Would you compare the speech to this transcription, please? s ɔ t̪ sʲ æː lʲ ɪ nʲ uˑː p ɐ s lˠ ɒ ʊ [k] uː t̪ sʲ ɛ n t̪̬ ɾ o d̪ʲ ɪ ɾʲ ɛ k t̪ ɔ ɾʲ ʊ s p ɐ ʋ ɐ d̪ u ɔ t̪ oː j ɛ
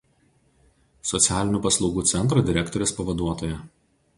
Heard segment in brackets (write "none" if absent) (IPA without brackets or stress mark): ɡ